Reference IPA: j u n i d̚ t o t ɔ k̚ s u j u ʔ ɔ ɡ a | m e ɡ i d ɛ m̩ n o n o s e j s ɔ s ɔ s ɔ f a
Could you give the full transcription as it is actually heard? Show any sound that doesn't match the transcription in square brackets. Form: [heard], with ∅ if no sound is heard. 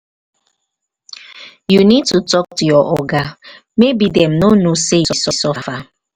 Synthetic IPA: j u n i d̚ t [u] t ɔ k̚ [t] u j [ɔ] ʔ ɔ ɡ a | m e [b] i d ɛ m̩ n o n o s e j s ɔ s ɔ s ɔ f a